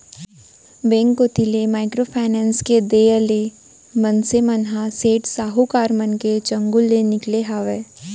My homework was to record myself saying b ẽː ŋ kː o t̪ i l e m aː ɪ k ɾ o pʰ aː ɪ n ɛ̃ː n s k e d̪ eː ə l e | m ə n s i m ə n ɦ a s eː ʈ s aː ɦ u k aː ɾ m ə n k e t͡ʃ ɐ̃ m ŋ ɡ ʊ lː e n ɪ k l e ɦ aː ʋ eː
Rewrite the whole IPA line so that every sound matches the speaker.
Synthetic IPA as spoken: b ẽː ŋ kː o t̪ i l e m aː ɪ k ɾ o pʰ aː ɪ n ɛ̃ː n s k e d̪ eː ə l e | m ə n s e m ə n ɦ a s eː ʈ s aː ɦ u k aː ɾ m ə n k e t͡ʃ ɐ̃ ŋ ɡ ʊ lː e n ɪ k l e ɦ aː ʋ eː